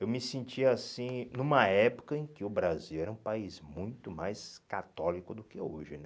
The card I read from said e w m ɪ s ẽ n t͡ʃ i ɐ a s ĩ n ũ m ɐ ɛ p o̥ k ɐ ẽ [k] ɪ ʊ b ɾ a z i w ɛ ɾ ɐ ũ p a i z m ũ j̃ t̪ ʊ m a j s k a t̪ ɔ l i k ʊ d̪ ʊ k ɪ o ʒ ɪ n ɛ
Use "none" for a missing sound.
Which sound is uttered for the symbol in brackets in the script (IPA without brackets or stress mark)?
k